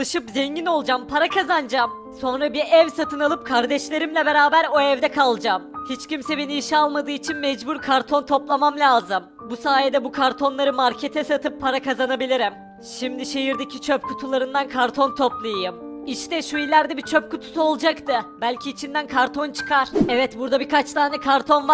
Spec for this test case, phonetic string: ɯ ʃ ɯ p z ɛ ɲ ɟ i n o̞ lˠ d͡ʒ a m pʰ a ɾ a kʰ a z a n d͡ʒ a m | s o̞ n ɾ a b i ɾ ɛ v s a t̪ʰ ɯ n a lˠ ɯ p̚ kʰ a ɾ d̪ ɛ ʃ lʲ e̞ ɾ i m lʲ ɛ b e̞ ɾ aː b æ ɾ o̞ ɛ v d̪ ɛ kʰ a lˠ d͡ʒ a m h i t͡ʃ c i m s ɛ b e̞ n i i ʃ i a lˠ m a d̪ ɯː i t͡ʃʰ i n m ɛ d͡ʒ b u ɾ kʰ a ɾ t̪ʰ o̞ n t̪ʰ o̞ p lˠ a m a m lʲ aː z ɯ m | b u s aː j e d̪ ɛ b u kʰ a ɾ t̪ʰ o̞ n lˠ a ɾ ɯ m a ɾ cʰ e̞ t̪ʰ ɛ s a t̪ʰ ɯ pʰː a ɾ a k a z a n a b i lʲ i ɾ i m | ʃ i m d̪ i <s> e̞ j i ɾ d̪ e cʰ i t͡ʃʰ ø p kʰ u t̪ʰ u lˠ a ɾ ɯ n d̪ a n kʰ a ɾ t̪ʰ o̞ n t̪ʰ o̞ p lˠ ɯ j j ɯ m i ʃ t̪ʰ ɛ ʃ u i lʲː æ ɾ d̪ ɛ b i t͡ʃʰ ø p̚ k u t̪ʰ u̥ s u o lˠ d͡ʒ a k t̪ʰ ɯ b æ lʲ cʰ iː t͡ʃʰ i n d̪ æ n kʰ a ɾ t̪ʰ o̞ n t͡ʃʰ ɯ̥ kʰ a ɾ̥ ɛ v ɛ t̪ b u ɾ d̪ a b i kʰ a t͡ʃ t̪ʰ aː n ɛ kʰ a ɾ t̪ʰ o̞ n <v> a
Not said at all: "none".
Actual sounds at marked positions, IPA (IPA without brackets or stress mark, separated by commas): ʃ, v